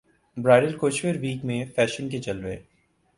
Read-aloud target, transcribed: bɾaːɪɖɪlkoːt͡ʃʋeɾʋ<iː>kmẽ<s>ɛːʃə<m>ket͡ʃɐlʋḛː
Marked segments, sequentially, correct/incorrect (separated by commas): correct, incorrect, incorrect